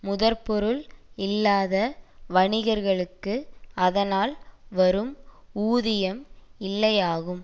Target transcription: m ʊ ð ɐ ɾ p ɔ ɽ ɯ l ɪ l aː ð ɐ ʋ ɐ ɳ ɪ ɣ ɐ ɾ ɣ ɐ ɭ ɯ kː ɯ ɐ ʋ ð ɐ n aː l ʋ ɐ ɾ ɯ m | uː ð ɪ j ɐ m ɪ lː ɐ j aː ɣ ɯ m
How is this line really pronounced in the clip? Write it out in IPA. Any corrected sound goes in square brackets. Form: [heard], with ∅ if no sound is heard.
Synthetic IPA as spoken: m ʊ ð ɐ ɾ p ɔ [ɾ] ɯ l ɪ [lː] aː ð ɐ ʋ ɐ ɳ ɪ ɣ ɐ ɾ ɣ ɐ ɭ ɯ kː ɯ ɐ [∅] ð ɐ n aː l ʋ ɐ ɾ ɯ m | uː ð ɪ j ɐ m ɪ lː ɐ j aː ɣ ɯ m